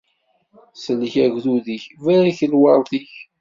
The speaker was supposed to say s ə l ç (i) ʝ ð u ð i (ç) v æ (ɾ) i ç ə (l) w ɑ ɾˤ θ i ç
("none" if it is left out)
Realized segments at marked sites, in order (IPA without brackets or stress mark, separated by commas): æ, ç, ɾ, l